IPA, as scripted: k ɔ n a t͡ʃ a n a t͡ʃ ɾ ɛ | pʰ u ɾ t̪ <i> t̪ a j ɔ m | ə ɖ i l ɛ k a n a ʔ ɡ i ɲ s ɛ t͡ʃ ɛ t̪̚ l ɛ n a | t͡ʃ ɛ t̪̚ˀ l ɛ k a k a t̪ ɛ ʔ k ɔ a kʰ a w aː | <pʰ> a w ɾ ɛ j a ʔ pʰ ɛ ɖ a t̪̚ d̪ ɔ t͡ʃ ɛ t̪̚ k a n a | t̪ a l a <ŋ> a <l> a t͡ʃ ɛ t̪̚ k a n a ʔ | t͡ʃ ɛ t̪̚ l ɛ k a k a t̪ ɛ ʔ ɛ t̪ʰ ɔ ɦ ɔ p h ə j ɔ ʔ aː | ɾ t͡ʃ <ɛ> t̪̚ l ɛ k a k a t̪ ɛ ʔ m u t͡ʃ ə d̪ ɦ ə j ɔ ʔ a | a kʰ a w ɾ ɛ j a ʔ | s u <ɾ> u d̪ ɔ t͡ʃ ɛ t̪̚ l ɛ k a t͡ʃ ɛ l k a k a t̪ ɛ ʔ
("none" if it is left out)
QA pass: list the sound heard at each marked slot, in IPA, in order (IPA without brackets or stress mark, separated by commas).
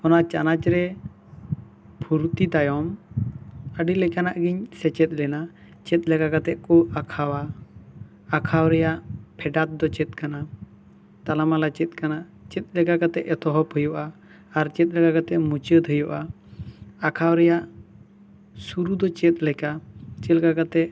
i, kʰ, m, l, ɛ, ɾ